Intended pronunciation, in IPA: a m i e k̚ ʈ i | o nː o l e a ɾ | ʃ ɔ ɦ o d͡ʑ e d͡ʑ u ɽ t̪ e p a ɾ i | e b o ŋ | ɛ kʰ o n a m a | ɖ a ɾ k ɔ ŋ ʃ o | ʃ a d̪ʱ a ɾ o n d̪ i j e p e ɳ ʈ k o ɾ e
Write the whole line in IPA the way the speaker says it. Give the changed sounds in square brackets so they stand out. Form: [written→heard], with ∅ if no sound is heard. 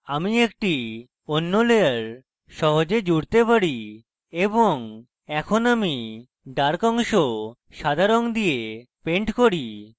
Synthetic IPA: a m i e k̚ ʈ i | o nː o l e a ɾ | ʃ ɔ ɦ o d͡ʑ e d͡ʑ u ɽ t̪ e p a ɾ i | e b o ŋ | ɛ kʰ o n a m [a→i] | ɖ a ɾ k ɔ ŋ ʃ o | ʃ a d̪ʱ a ɾ o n d̪ i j e p e ɳ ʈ k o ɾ [e→i]